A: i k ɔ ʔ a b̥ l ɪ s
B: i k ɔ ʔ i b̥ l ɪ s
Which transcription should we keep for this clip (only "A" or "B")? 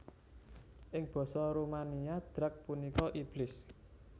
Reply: B